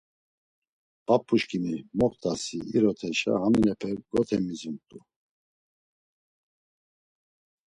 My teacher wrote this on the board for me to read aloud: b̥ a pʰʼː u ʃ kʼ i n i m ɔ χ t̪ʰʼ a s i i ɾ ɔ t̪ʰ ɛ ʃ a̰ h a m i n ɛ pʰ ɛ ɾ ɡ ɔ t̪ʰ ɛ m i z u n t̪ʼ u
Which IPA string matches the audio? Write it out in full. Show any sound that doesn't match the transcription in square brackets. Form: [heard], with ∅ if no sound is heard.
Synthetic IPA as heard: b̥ a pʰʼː u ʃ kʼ i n i m ɔ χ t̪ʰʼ a s i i ɾ ɔ t̪ʰ ɛ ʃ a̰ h a m i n ɛ pʰ ɛ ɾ ɡ ɔ t̪ʰ ɛ m i z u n t̪ʼ u